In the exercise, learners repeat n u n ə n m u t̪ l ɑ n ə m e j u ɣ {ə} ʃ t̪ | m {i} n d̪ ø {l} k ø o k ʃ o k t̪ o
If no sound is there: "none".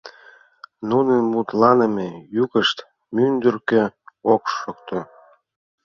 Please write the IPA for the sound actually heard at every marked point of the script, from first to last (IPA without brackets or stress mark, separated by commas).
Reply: ə, y, r